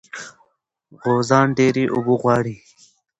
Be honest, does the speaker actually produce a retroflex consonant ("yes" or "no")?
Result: yes